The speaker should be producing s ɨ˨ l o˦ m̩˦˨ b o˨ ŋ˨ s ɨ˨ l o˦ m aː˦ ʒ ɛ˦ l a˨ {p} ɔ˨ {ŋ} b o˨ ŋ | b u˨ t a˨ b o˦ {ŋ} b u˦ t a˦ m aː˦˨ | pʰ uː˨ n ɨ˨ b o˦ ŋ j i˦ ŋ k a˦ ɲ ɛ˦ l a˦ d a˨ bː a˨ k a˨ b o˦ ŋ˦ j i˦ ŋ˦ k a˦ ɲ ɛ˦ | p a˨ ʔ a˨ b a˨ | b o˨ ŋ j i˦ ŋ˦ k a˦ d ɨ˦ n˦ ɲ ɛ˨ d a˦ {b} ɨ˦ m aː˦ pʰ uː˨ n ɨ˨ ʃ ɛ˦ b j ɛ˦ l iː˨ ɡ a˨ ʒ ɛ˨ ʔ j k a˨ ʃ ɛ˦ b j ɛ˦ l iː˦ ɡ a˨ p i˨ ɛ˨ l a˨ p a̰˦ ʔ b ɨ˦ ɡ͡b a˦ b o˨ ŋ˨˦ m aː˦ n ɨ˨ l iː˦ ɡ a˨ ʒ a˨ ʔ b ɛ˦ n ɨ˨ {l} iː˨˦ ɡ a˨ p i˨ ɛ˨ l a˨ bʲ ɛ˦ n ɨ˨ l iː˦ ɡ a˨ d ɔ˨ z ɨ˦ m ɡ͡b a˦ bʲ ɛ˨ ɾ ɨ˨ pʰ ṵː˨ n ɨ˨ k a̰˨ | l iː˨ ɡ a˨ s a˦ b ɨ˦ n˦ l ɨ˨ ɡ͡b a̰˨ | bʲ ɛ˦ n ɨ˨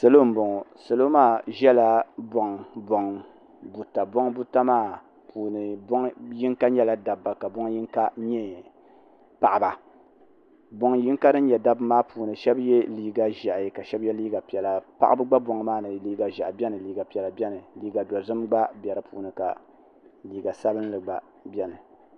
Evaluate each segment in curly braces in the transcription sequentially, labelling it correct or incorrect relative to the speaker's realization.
incorrect: b, correct, correct, correct, correct

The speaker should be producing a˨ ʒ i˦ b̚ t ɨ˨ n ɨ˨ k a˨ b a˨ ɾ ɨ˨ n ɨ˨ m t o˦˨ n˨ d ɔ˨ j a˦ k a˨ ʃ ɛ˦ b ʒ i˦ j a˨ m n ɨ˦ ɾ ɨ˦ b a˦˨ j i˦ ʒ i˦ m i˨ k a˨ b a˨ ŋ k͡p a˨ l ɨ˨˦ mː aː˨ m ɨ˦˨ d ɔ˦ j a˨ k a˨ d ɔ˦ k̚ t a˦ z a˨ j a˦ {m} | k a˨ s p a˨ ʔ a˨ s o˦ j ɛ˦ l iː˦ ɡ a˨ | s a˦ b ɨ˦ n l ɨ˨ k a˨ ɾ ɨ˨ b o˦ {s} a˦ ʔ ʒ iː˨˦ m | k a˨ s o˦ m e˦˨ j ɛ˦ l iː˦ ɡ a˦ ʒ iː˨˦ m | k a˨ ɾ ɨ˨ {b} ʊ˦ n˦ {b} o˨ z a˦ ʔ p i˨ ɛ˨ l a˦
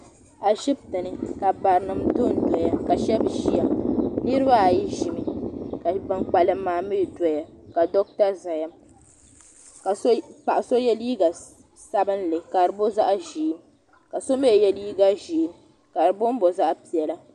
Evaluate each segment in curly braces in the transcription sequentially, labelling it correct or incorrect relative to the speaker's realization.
correct, incorrect: z, correct, correct

